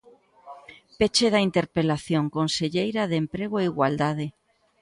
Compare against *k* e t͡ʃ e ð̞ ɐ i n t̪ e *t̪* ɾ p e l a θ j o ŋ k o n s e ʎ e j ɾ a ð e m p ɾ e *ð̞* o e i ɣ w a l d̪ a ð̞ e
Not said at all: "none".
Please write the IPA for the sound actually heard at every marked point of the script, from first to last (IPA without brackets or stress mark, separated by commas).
p, none, ɣ̞